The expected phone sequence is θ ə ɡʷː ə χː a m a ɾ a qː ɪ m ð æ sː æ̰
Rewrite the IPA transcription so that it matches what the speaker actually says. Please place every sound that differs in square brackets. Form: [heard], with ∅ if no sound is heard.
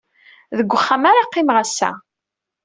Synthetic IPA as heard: [ð] ə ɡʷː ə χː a m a ɾ a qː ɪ m [ʁ] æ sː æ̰